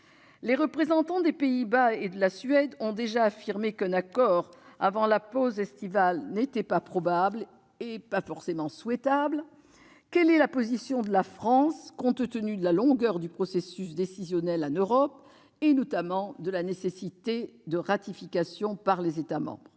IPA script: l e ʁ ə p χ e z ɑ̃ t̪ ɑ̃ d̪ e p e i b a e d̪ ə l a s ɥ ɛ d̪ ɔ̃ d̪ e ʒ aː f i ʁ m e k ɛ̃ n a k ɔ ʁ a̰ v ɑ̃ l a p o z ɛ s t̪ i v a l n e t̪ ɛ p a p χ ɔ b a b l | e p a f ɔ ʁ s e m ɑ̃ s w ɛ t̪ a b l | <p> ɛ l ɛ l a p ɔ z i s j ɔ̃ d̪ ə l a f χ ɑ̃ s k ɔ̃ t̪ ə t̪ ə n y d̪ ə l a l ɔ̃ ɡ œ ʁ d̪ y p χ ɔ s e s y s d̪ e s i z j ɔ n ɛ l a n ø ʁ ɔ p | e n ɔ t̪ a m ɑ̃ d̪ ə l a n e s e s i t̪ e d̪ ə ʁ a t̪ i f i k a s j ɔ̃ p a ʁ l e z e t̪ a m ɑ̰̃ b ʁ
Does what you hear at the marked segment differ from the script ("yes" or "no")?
yes